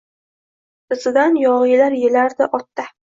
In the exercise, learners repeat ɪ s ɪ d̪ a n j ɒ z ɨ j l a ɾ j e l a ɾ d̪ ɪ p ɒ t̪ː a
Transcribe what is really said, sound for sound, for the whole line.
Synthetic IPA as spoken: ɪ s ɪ d̪ a n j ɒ ʁ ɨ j l a ɾ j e l a ɾ d̪ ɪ ʔ ɒ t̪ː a